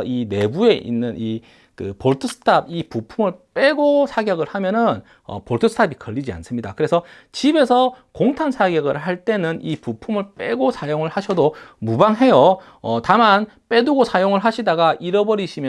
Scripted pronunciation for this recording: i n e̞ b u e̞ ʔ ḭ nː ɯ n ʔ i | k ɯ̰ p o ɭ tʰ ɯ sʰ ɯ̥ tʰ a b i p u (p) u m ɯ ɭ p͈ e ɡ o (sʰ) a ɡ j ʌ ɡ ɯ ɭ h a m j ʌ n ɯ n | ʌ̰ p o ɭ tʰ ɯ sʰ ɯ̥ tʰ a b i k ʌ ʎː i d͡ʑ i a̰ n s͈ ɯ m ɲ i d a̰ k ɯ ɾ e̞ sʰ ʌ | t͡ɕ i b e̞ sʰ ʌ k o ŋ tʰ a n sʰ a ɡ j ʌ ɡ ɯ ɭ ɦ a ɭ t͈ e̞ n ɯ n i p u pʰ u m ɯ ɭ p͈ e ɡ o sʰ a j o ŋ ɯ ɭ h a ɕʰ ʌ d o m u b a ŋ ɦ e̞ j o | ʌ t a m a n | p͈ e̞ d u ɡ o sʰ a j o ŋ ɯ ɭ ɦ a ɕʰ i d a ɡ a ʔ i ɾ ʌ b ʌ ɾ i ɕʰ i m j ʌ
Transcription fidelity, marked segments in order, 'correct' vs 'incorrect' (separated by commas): incorrect, correct